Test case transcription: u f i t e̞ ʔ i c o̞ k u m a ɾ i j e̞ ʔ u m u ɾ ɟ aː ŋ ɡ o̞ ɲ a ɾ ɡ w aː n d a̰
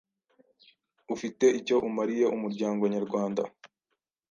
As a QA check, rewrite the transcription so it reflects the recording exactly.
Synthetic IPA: u f i t e̞ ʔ i c o̞ ʔ u m a ɾ i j e̞ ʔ u m u ɾ ɟ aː ŋ ɡ o̞ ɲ a ɾ ɡ w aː n d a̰